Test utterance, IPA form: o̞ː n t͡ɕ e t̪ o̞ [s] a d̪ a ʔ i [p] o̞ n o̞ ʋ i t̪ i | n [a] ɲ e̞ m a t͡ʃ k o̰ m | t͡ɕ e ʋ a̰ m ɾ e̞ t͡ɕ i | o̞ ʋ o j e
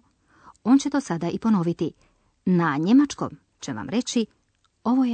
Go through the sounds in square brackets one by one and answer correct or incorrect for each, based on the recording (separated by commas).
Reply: correct, correct, correct